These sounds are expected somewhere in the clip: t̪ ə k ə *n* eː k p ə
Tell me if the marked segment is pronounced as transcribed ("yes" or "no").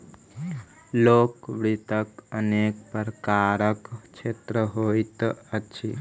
yes